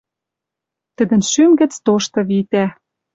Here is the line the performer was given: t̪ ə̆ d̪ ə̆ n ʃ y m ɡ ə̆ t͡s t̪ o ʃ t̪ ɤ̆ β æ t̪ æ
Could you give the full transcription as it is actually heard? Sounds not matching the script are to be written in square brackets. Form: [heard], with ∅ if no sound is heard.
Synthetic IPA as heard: t̪ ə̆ d̪ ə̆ n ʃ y m ɡ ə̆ t͡s t̪ o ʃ t̪ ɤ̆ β [i] t̪ æ